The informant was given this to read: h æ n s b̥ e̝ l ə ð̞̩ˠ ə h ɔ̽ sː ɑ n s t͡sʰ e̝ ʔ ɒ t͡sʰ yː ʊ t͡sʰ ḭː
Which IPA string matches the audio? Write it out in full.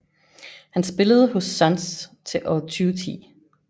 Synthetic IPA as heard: h æ n s b̥ e̝ l ə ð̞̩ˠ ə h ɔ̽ sː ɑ n s t͡sʰ e̝ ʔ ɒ t͡sʰ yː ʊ t͡sʰ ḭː